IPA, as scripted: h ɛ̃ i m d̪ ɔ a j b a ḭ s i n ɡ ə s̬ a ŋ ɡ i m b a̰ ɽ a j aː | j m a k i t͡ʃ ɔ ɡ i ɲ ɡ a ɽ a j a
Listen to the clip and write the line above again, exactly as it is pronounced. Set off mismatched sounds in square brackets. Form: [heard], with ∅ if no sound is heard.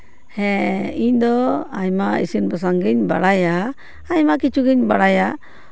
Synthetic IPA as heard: h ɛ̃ i [ɲ] d̪ ɔ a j [m] a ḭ s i n [b] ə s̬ a ŋ ɡ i [ɲ] b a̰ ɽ a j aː | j m a k i t͡ʃ [u] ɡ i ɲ [b] a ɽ a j a